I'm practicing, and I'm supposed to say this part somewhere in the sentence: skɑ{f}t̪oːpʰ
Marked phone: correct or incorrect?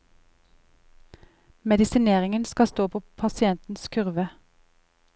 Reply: incorrect